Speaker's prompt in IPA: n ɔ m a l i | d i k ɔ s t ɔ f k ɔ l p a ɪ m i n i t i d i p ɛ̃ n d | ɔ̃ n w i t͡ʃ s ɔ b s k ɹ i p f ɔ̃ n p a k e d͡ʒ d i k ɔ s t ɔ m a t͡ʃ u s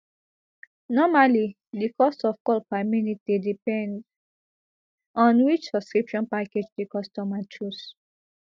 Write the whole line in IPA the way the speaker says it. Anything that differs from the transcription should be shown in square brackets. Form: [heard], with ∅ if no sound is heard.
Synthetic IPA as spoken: n ɔ m a l i | d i k ɔ s t ɔ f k ɔ l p a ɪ m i n i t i d i p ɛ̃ n d | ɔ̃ n w i t͡ʃ s ɔ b s k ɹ i p [ʃ] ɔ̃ n p a k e d͡ʒ d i k ɔ s t ɔ m a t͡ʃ u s